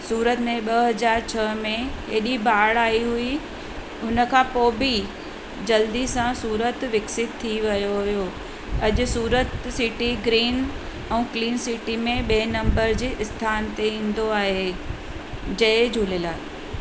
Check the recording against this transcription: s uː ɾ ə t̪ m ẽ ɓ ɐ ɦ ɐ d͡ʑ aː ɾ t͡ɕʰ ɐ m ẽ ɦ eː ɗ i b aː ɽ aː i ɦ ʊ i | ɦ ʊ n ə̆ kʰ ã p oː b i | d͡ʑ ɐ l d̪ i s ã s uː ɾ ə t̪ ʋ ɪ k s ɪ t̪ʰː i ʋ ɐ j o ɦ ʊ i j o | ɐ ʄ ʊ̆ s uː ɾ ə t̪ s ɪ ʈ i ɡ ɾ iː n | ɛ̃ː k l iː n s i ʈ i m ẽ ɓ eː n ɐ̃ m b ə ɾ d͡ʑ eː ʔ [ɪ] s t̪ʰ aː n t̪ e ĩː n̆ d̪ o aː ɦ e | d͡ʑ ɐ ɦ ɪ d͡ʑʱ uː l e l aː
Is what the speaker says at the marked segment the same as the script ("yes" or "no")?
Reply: yes